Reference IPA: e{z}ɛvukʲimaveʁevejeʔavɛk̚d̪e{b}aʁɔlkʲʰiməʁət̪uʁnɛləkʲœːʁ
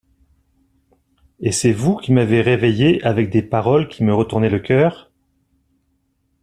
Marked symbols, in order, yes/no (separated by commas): no, no